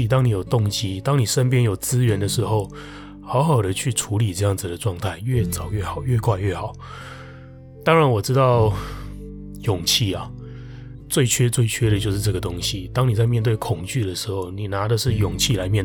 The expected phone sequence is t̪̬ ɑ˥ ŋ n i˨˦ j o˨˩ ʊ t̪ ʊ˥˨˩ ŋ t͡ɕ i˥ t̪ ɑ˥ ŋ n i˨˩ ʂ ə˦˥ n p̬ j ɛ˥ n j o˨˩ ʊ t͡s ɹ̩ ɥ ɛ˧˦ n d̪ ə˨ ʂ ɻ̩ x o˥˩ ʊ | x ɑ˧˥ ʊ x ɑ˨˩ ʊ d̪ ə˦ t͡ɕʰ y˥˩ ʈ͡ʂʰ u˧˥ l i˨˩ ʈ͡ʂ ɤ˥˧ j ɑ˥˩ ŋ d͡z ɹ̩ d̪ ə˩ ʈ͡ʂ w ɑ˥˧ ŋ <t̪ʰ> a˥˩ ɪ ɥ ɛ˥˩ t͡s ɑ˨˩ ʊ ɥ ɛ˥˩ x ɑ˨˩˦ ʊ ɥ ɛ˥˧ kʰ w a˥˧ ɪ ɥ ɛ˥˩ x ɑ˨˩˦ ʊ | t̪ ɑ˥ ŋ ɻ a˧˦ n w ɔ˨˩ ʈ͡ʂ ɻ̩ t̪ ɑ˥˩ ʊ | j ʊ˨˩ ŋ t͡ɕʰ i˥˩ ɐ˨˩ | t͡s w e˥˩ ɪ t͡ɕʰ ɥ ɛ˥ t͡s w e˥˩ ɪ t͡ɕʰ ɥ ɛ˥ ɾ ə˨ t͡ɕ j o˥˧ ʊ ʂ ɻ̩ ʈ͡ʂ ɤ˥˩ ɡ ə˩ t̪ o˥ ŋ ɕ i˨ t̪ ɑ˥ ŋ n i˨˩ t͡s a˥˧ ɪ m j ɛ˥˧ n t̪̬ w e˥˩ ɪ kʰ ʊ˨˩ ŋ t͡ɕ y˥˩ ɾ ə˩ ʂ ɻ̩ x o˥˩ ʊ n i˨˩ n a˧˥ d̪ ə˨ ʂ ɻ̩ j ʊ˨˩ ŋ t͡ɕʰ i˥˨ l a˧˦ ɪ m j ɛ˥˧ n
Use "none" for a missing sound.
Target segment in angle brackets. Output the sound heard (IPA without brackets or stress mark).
t̪ʰ